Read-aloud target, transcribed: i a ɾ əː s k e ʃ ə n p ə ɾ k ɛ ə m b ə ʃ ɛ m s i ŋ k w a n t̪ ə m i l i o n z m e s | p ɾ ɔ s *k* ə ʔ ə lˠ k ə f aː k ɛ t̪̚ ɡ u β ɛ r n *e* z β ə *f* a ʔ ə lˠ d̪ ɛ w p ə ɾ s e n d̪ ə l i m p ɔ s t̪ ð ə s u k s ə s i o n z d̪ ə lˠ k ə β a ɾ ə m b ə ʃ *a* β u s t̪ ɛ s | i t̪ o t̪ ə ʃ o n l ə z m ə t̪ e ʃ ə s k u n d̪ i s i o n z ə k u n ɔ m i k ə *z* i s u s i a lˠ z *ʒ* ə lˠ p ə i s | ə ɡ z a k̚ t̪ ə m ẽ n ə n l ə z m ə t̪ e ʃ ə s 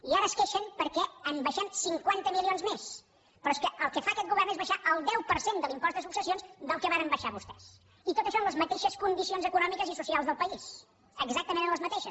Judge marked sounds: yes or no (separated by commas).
yes, yes, no, yes, yes, no